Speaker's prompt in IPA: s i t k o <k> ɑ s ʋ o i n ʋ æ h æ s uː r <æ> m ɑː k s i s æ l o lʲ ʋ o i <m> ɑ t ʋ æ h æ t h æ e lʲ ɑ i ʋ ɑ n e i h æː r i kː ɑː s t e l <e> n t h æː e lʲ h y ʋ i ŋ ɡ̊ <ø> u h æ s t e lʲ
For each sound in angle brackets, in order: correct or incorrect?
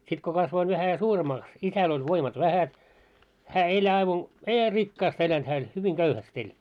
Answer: correct, incorrect: e, correct, incorrect: æ, correct

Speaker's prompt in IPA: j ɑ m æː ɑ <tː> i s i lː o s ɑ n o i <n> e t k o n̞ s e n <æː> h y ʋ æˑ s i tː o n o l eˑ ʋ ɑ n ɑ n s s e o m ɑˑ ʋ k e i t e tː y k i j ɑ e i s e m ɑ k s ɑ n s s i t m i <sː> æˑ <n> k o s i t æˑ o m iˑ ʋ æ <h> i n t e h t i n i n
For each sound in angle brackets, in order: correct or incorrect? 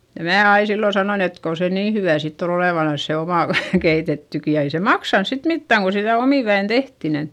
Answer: incorrect: none, correct, incorrect: iː, incorrect: tː, incorrect: ŋ, incorrect: none

